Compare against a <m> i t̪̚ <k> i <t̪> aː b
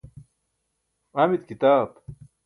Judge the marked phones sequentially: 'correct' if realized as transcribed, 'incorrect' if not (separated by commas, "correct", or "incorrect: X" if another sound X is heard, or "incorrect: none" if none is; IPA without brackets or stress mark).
correct, correct, correct